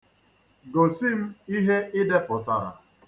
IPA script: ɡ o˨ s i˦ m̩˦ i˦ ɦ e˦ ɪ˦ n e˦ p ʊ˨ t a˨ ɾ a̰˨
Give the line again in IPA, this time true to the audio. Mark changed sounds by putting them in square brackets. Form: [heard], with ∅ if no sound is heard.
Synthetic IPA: ɡ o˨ s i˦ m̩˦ i˦ ɦ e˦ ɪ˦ [d] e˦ p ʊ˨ t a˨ ɾ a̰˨